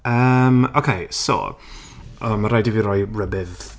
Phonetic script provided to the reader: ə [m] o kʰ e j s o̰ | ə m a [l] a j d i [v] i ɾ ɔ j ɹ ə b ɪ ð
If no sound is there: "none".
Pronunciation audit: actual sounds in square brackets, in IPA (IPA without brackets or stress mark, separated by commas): m, ɾ, v